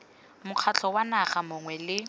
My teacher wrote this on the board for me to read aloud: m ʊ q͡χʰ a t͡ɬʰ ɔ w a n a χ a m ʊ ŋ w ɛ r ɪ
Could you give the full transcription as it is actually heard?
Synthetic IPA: m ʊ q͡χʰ a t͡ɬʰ ɔ w a n a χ a m ʊ ŋ w ɛ l ɪ